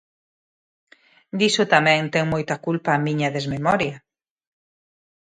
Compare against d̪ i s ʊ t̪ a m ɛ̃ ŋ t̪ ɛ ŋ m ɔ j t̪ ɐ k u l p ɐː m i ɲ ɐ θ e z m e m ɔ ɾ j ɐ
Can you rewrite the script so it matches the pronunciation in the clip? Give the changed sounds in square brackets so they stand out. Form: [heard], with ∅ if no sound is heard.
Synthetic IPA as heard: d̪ i s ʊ t̪ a m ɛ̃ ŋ t̪ ɛ ŋ m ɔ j t̪ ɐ k u l p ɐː m i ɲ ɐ [ð] e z m e m ɔ ɾ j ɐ